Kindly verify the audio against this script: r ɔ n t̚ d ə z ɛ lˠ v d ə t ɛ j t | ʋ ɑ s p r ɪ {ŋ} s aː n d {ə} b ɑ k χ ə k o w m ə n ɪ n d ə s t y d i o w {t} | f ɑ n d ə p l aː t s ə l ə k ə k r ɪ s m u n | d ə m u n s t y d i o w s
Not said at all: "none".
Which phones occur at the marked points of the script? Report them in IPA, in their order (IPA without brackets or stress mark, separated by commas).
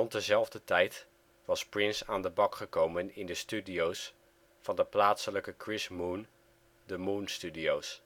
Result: n, ə, s